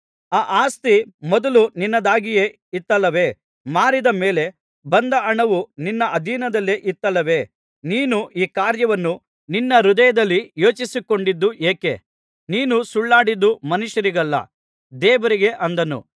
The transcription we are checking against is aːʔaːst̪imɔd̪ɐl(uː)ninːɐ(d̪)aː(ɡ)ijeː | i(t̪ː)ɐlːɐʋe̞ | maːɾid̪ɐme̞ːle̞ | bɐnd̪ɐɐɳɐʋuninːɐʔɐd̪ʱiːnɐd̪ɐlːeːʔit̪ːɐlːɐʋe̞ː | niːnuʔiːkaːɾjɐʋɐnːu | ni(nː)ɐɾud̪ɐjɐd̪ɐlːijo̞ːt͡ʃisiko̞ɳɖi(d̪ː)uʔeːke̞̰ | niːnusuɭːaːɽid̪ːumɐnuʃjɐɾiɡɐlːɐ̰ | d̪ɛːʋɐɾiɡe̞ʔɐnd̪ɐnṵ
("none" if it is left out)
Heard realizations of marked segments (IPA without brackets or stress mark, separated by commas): u, d̪, ɡ, t̪ː, nː, d̪ː